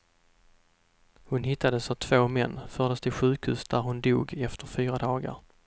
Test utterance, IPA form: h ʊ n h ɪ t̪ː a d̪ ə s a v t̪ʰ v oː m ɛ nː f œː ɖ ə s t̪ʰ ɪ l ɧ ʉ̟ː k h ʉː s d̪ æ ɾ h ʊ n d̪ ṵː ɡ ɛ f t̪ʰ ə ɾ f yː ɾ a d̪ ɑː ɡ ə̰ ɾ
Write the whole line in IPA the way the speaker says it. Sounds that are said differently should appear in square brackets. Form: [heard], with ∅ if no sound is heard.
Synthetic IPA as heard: h ʊ n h ɪ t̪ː a d̪ ə s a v t̪ʰ v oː m ɛ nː f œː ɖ ə s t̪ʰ ɪ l ɧ ʉ̟ː k h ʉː s d̪ æ ɾ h ʊ n d̪ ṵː ɡ ɛ f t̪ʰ ə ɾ f yː ɾ a d̪ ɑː ɡ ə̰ ɾ